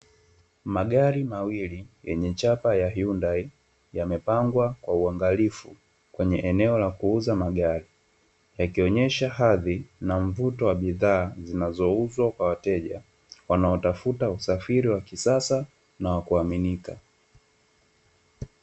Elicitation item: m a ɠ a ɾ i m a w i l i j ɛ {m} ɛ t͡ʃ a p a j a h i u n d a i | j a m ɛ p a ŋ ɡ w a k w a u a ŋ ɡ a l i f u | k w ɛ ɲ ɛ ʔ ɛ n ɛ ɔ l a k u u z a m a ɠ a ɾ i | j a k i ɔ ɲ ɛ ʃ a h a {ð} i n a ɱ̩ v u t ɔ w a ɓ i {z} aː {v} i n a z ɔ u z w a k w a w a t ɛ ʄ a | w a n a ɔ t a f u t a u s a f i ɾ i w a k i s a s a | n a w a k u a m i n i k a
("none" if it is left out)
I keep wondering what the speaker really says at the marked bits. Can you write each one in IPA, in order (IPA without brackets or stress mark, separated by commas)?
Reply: ɲ, ð, ð, z